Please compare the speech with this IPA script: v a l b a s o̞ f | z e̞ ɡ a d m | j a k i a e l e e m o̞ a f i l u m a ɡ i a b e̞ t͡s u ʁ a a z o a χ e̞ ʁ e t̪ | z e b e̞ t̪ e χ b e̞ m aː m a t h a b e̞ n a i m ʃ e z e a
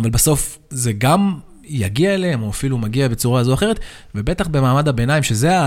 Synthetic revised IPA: v a l b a s o̞ f | z e̞ ɡ a m | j a ɡ i a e l e e m o̞ a f i l u m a ɡ i a b e̞ t͡s u ʁ a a z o a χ e̞ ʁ e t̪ | v e b e̞ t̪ a χ b e̞ m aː m a d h a b e̞ n a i m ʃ e z e a